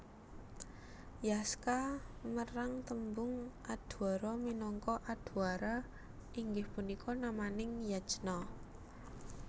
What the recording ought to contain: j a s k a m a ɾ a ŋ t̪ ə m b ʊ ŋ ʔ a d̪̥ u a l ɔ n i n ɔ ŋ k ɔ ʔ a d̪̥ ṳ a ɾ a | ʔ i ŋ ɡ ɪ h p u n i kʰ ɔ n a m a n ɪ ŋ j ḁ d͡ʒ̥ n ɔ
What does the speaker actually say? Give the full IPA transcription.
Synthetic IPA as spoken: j a s k a m ə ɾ a ŋ t̪ ə m b ʊ ŋ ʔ a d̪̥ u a ɾ ɔ m i n ɔ ŋ k ɔ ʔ a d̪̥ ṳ a ɾ a | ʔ i ŋ ɡ ɪ h p u n i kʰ ɔ n a m a n ɪ ŋ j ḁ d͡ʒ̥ n ɔ